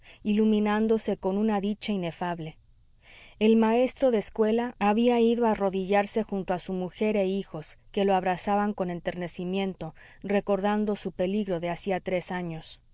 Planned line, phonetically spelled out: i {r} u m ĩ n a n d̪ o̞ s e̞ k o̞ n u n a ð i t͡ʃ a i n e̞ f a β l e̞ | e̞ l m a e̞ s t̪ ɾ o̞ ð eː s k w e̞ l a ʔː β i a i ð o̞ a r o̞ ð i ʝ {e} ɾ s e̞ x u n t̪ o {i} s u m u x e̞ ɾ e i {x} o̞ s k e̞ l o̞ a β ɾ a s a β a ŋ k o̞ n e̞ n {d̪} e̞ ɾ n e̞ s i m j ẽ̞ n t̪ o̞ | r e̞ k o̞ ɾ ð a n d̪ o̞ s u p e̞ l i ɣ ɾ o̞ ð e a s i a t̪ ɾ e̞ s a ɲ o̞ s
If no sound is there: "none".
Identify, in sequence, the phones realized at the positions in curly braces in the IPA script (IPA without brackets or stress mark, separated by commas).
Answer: l, a, a, x, t̪